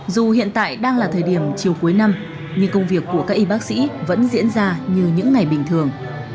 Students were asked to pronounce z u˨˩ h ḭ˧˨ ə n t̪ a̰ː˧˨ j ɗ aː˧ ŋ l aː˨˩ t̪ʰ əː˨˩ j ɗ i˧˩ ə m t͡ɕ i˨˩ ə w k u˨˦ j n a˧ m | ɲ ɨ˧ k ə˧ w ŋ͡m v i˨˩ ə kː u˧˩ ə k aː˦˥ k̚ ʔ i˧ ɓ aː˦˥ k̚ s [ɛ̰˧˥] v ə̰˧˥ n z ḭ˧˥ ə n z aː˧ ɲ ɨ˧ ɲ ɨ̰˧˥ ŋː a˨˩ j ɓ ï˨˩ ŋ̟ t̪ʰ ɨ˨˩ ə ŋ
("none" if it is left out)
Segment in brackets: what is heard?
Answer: ḭ˧˥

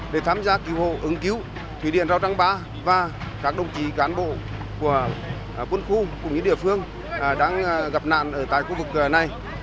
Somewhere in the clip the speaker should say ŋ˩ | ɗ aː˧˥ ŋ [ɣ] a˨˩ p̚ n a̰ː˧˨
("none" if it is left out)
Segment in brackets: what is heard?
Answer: ɣ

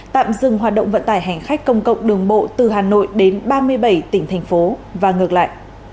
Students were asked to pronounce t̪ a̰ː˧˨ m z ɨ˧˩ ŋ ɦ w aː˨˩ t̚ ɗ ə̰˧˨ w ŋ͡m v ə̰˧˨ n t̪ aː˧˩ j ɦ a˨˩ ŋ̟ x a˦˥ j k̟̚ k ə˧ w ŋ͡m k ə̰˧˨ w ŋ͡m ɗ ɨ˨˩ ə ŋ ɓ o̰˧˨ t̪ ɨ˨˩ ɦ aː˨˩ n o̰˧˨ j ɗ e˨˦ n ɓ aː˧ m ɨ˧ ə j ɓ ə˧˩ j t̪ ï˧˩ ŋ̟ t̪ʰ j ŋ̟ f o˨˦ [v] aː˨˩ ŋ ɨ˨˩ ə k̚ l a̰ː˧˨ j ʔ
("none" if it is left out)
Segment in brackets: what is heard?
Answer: v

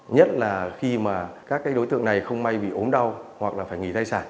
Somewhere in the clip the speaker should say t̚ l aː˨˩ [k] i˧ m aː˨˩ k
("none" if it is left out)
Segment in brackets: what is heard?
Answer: x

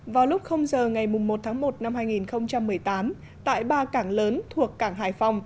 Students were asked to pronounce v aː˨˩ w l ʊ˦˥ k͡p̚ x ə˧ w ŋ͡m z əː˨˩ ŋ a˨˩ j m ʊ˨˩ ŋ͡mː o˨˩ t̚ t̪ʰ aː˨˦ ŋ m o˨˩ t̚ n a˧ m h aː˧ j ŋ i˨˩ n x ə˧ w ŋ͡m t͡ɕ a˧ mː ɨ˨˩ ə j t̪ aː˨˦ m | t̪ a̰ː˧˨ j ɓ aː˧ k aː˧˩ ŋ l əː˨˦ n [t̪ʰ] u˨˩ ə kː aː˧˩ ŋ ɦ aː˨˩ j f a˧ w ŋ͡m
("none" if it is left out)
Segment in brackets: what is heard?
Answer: t̪ʰ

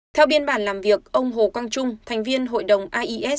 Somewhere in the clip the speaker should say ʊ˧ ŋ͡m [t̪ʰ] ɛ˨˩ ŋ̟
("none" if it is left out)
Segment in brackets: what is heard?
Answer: t̪ʰ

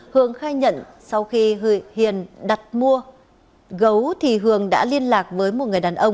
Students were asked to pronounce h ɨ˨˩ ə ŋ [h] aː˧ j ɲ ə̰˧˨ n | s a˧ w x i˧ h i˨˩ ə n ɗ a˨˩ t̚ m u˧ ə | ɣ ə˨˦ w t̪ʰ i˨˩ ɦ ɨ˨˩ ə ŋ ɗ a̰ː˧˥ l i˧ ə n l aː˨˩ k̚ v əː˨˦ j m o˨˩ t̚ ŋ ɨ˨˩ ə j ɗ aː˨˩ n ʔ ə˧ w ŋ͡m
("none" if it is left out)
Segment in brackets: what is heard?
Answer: x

